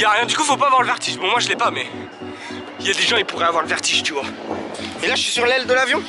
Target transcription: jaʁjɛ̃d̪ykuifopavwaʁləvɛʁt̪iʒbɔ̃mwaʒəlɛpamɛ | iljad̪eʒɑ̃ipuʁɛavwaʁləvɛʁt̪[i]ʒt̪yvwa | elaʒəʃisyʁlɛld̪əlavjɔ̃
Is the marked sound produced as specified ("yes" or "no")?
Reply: yes